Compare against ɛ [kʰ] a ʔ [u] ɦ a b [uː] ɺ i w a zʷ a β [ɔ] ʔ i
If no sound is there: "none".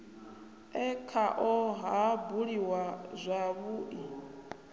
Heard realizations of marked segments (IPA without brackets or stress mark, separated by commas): kʰ, ɔ, u, u